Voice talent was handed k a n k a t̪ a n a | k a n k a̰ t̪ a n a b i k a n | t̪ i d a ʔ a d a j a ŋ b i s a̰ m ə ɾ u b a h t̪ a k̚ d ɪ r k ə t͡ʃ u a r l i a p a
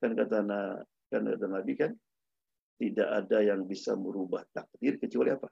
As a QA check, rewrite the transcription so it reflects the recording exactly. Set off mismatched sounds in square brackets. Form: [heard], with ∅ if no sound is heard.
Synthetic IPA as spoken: k a n k a t̪ a n a | k a n k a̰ t̪ a n a b i k a n | t̪ i d a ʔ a d a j a ŋ b i s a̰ m ə ɾ u b a h t̪ a k̚ d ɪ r k ə t͡ʃ u a [∅] l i a p a